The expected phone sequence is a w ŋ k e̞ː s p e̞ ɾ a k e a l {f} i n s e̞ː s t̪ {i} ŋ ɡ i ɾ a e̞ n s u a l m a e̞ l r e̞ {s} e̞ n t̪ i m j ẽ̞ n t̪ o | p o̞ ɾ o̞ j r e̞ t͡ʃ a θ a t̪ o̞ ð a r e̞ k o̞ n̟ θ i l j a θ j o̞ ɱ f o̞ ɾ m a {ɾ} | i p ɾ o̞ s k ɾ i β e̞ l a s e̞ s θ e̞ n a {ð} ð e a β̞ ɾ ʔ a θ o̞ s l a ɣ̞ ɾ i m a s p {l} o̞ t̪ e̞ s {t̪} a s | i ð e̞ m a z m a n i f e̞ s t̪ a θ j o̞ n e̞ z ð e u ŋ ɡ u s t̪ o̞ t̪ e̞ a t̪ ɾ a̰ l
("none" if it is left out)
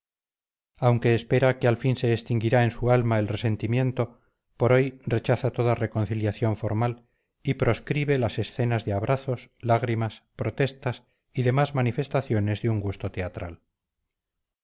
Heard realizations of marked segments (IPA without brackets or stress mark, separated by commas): f, i, s, l, z, ɾ, t̪